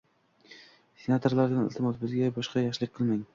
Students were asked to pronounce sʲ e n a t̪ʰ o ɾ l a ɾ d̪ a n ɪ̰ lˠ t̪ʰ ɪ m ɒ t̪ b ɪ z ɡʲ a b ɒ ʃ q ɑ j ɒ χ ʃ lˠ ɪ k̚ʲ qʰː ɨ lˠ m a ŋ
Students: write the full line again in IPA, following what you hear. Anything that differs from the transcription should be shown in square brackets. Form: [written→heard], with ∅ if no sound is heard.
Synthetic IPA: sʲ e n a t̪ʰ o ɾ l a ɾ d̪ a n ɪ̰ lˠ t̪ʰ ɪ m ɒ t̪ b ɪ z ɡʲ a b ɒ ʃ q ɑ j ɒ χ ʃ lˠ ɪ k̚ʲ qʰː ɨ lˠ m a ŋ